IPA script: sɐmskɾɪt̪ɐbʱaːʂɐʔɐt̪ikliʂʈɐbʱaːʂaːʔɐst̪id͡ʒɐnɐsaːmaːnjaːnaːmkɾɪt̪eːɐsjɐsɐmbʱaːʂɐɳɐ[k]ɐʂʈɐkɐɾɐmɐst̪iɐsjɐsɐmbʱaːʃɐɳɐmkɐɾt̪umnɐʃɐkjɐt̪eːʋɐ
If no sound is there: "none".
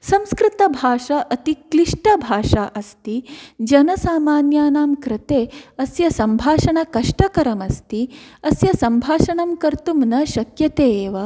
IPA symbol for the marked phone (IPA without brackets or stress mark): k